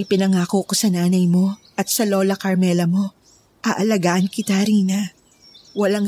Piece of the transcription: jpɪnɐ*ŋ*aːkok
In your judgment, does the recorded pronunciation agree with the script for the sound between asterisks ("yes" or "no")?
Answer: yes